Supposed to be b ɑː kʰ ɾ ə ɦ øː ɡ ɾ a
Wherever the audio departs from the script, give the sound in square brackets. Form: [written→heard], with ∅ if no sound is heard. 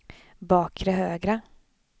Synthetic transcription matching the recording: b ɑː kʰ ɾ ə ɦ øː ɡ ɾ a